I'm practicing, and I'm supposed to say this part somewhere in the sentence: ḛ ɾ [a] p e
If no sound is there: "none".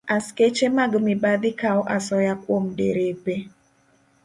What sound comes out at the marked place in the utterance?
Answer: e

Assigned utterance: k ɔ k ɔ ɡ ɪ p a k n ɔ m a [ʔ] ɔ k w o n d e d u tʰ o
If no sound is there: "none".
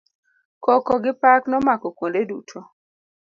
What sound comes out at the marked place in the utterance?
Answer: k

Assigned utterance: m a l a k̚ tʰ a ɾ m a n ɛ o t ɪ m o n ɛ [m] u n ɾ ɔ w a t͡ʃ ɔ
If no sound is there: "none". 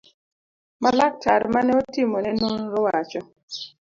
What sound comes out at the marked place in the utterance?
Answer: n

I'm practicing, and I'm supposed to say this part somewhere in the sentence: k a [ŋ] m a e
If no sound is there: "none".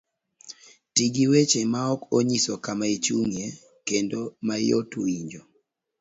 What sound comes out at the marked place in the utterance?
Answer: none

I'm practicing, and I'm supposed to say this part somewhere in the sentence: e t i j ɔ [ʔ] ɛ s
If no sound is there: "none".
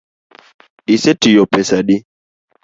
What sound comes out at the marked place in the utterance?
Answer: p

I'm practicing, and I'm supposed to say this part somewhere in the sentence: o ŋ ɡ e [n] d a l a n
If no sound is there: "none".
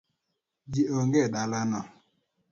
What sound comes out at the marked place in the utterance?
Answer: none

